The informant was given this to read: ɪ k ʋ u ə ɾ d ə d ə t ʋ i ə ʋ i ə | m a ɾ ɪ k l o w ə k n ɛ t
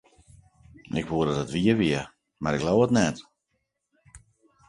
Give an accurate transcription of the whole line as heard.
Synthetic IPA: ɪ k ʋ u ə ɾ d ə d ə t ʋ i ə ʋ i ə | m a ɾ ɪ k l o w ə t n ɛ t

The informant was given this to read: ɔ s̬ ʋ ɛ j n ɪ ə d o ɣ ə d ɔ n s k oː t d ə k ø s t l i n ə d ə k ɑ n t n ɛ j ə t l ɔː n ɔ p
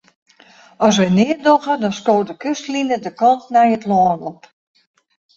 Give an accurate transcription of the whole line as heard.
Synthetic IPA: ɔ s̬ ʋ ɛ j n ɪ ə d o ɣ ə d ɔ n s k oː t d ə k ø s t l i n ə d ə k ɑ n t n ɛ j ə t l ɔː n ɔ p

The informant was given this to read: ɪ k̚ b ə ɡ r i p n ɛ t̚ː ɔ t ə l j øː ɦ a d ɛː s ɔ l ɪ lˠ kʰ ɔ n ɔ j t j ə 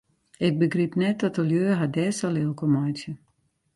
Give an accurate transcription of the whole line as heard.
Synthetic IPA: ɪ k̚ b ə ɡ r i p n ɛ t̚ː ɔ t ə l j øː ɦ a d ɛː s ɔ l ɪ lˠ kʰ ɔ m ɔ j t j ə

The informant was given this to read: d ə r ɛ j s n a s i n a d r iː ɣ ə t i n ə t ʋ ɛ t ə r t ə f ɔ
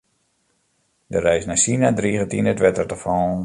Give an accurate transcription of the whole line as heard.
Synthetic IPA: d ə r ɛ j s n a s i n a d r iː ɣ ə t i n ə t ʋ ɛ t ə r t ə f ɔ

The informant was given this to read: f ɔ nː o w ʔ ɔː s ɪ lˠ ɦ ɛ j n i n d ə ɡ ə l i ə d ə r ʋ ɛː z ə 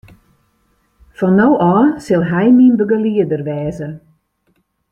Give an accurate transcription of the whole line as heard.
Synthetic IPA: f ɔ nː o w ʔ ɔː s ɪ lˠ ɦ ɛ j m i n b ə ɡ ə l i ə d ə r ʋ ɛː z ə

